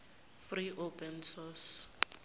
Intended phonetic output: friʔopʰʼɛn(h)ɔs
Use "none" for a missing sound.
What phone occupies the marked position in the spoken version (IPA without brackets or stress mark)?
s